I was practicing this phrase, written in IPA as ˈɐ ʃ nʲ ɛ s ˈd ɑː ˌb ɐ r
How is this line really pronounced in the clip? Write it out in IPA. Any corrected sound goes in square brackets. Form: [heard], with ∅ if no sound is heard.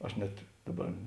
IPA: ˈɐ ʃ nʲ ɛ [t] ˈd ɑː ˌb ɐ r